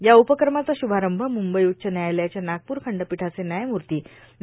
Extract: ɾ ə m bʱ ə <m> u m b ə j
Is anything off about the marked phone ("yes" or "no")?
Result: no